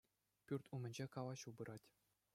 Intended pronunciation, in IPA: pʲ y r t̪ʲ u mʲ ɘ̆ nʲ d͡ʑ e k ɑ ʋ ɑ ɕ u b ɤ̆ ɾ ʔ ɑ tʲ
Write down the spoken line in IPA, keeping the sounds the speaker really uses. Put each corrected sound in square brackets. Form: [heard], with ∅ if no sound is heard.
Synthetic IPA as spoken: pʲ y r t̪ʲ u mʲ ɘ̆ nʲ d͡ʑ e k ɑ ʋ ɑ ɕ u b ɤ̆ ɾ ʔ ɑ tʲ